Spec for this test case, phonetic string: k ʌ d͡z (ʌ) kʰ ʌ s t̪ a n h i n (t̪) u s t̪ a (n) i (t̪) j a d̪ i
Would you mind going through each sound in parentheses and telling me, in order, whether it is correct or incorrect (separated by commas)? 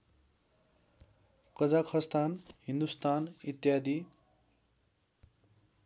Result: incorrect, incorrect, correct, correct